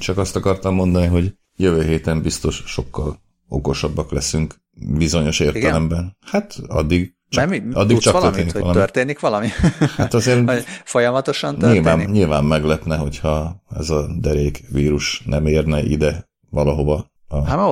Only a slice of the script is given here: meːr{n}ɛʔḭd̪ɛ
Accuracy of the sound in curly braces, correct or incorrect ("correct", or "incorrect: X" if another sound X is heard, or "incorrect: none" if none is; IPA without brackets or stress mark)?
correct